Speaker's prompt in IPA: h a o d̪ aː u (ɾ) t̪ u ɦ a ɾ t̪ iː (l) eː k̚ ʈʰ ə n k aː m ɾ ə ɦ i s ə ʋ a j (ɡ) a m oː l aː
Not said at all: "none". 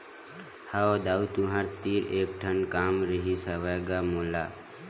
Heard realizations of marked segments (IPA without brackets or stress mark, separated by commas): none, ɾ, ɡ